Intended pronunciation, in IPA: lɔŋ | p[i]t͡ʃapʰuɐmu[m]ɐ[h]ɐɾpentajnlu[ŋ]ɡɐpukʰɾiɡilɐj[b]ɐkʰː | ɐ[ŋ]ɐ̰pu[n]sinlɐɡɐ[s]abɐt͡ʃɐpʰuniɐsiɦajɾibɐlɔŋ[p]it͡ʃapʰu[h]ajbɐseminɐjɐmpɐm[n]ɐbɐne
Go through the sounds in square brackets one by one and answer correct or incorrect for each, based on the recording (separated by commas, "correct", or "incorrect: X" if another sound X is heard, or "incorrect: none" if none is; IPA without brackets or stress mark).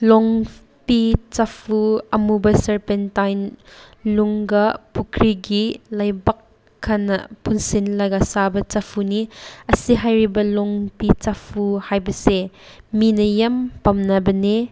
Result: correct, incorrect: b, incorrect: s, correct, correct, incorrect: n, correct, correct, correct, correct, correct